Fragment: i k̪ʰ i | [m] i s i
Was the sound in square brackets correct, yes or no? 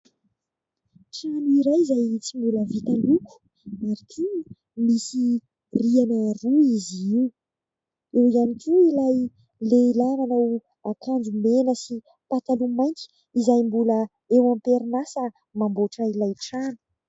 yes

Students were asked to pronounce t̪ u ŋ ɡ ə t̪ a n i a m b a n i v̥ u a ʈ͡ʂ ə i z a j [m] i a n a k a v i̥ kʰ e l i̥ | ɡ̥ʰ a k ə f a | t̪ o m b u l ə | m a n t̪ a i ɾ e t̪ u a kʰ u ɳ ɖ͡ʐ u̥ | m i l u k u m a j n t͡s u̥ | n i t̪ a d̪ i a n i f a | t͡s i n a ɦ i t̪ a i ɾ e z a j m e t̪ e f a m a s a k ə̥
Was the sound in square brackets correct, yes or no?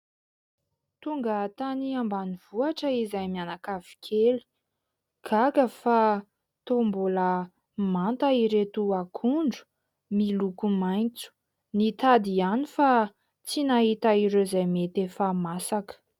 yes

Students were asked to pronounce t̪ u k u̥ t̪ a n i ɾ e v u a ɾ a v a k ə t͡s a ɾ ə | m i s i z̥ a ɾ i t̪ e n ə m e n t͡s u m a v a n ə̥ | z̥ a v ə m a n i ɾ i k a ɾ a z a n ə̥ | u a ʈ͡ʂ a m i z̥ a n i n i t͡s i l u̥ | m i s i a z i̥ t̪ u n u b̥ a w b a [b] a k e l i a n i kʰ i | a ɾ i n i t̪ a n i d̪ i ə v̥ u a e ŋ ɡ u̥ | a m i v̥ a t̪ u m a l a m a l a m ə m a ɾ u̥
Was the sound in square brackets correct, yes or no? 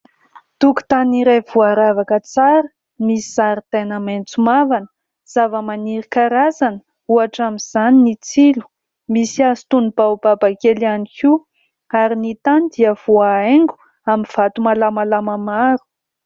yes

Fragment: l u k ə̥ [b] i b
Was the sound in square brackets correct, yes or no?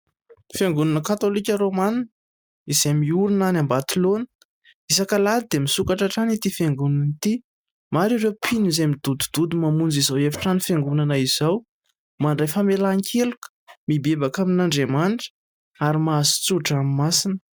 no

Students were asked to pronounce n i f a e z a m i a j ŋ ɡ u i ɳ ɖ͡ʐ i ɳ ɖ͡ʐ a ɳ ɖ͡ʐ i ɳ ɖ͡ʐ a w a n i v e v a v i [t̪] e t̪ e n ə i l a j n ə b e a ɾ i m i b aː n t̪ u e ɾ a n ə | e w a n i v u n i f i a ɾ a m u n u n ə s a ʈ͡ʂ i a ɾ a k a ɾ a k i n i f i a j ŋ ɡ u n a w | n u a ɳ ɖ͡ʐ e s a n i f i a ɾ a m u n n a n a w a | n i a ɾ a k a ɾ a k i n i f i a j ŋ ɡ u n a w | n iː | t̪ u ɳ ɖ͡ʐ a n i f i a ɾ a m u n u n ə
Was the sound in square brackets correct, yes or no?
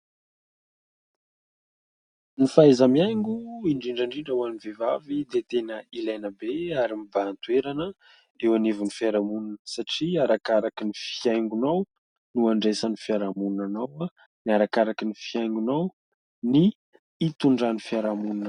no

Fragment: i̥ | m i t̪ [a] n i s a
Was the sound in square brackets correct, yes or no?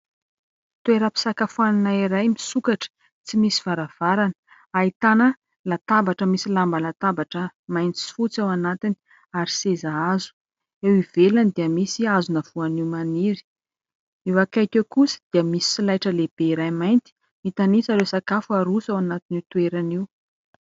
yes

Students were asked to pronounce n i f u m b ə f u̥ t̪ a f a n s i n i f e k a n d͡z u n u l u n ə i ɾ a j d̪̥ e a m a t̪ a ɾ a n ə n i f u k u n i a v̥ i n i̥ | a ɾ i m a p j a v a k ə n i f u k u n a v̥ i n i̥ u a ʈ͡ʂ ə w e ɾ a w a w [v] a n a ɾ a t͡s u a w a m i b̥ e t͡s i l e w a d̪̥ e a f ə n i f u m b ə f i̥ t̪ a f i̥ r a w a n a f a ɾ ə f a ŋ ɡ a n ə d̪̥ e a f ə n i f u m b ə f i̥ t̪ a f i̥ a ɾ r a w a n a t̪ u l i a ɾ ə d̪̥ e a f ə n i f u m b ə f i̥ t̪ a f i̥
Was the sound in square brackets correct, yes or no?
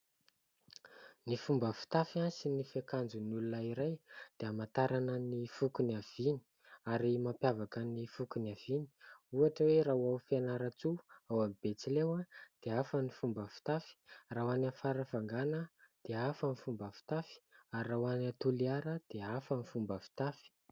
no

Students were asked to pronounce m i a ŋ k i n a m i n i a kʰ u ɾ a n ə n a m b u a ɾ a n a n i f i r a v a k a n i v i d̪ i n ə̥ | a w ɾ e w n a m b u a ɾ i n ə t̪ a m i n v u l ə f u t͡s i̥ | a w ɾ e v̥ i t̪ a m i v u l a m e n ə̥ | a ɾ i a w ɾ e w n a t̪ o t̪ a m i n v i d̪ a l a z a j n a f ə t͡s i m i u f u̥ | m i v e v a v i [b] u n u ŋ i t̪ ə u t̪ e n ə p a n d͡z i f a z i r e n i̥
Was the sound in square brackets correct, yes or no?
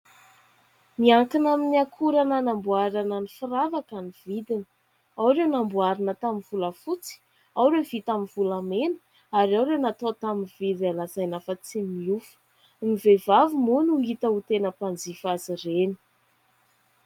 no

